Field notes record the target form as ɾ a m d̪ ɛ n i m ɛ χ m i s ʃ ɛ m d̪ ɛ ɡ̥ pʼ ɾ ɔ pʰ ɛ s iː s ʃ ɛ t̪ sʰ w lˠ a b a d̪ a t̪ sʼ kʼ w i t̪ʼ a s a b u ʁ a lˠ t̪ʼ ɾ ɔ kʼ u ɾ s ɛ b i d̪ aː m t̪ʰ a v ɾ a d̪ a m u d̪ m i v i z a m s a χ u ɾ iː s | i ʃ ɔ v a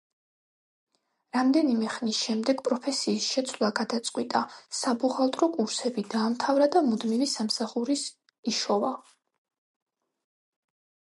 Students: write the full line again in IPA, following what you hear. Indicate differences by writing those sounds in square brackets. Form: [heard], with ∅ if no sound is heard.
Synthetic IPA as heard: ɾ a m d̪ ɛ n i m ɛ χ [n] i s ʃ ɛ m d̪ ɛ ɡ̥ pʼ ɾ ɔ pʰ ɛ s iː s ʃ ɛ t̪ sʰ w lˠ a [ɡ] a d̪ a t̪ sʼ [qʼ] w i t̪ʼ a s a b u ʁ a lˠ t̪ʼ ɾ ɔ kʼ u ɾ s ɛ b i d̪ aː m t̪ʰ a v ɾ a d̪ a m u d̪ m i v i [s] a m s a χ u ɾ [i] s | i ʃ ɔ v a